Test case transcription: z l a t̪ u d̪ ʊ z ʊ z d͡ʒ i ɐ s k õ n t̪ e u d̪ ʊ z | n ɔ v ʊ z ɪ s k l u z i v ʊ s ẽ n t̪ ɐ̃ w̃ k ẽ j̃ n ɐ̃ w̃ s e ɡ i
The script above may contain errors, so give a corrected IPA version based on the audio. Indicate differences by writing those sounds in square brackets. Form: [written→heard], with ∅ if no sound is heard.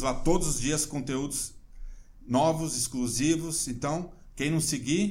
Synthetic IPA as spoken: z l a t̪ [u→o] d̪ ʊ z ʊ z d͡ʒ i ɐ s k õ n t̪ e u d̪ ʊ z | n ɔ v ʊ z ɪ s k l u z i v ʊ s ẽ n t̪ ɐ̃ w̃ k ẽ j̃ n ɐ̃ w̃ s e ɡ i